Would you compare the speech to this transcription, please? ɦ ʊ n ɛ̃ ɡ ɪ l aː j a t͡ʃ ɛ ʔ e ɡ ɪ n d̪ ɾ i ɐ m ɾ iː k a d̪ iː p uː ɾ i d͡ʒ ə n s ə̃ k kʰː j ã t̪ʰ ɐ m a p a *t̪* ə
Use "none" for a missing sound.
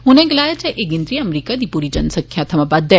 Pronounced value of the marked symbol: d̪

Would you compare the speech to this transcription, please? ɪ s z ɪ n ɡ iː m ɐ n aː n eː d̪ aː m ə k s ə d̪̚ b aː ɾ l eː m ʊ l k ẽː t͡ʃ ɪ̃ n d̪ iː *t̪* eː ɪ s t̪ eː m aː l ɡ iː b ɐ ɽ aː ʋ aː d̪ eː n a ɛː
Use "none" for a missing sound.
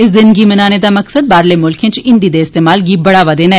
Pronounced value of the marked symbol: d̪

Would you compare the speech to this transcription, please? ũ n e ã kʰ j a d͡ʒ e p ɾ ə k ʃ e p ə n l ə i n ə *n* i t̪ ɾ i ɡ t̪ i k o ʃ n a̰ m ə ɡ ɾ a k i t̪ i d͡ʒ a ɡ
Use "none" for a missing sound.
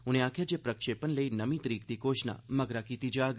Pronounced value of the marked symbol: m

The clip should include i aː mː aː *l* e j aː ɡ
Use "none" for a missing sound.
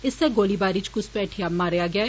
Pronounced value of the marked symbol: ɾ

